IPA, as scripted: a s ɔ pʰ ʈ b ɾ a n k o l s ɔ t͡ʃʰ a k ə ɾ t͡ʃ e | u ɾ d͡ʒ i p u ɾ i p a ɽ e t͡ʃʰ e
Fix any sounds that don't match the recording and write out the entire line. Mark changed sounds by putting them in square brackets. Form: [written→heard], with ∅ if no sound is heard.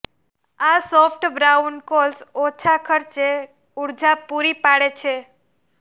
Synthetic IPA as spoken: a s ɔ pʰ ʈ b ɾ a n k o l s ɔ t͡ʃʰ a [k→kʰ] ə ɾ t͡ʃ e | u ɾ d͡ʒ [i→a] p u ɾ i p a ɽ e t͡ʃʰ e